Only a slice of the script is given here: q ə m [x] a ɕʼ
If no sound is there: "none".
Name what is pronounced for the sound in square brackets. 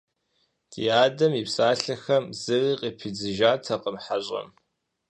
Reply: ħ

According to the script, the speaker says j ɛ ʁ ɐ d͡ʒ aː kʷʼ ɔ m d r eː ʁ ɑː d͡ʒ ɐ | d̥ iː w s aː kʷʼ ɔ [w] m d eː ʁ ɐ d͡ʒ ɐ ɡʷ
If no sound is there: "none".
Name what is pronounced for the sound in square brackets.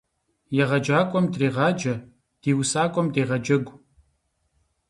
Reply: none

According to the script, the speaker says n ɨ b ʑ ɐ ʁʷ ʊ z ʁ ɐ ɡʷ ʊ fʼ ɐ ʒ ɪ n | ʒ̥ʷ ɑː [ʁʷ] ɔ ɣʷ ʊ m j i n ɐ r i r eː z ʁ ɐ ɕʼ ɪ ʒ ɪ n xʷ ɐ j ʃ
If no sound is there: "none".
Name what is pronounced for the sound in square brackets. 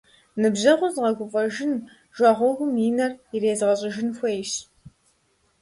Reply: ʁʷ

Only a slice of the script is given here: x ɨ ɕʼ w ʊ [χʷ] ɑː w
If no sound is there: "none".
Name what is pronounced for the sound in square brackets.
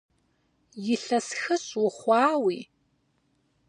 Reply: χʷ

